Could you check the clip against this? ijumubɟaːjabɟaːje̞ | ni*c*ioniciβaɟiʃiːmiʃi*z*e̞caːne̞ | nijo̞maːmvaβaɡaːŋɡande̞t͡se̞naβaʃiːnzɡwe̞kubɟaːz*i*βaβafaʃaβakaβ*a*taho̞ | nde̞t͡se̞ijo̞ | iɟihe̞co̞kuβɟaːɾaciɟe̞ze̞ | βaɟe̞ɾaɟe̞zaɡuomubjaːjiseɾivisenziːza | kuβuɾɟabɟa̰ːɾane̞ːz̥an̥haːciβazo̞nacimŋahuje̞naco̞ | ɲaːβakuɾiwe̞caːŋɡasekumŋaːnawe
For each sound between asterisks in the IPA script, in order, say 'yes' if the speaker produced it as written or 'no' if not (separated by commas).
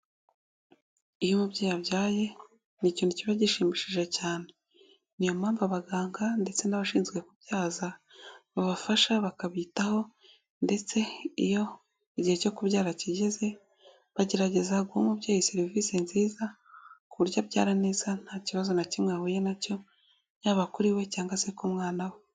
yes, no, no, no